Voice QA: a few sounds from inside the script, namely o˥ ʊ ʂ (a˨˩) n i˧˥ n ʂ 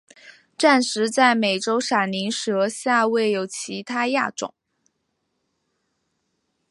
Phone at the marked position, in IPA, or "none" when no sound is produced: a˨˩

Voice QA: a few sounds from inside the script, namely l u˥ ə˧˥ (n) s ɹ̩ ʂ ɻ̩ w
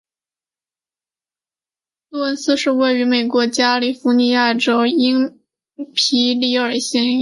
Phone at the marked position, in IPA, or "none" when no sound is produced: n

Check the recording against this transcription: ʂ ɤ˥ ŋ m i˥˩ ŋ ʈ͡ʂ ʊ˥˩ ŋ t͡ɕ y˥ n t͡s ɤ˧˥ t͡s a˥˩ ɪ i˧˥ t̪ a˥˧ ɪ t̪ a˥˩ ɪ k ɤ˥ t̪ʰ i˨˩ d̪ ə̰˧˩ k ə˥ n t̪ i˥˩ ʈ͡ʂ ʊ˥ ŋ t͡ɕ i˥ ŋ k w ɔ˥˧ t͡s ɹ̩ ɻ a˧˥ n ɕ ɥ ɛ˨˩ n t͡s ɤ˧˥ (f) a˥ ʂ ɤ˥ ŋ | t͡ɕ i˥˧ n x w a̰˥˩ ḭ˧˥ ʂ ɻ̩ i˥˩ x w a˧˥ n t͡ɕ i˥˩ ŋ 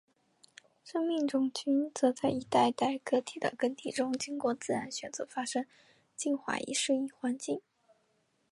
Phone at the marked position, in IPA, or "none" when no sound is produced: f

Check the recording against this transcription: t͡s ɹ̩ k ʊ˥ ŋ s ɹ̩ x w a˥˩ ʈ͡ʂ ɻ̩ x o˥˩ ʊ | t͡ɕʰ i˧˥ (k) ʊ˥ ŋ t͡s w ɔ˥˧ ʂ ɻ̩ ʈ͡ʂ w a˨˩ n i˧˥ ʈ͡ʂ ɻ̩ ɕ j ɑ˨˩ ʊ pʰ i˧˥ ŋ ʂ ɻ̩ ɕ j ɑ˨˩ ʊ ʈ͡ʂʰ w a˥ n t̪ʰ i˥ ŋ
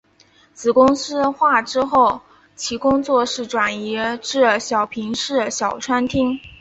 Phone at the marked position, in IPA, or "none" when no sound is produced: k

